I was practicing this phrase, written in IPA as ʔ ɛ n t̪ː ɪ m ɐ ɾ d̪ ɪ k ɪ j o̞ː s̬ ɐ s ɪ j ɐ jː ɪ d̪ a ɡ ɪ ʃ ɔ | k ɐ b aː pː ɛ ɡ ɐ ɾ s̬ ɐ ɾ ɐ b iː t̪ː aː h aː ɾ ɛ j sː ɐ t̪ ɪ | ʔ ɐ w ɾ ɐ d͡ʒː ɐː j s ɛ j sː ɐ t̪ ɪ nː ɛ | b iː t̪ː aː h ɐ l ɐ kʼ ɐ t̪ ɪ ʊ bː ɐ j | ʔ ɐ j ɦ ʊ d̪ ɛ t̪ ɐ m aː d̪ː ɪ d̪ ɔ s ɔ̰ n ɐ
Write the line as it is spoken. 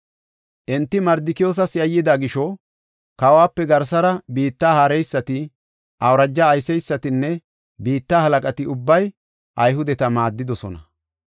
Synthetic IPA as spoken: ʔ ɛ n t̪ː ɪ m ɐ ɾ d̪ ɪ k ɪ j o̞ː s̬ ɐ s ɪ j ɐ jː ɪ d̪ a ɡ ɪ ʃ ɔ | k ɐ w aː pː ɛ ɡ ɐ ɾ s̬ ɐ ɾ ɐ b iː t̪ː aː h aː ɾ ɛ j sː ɐ t̪ ɪ | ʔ ɐ w ɾ ɐ d͡ʒː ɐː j s ɛ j sː ɐ t̪ ɪ nː ɛ | b iː t̪ː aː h ɐ l ɐ kʼ ɐ t̪ ɪ ʊ bː ɐ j | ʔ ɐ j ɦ ʊ d̪ ɛ t̪ ɐ m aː d̪ː ɪ d̪ ɔ s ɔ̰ n ɐ